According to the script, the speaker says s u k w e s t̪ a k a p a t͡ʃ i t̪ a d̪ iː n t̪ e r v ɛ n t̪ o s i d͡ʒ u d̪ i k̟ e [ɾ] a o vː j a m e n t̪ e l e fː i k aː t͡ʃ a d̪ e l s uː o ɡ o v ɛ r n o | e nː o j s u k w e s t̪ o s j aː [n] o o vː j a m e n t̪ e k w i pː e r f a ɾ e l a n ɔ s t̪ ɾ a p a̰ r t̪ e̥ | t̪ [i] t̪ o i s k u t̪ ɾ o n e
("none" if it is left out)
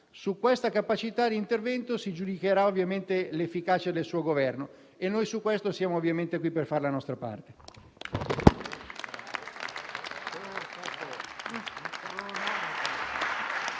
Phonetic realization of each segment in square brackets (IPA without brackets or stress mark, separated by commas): ɾ, m, a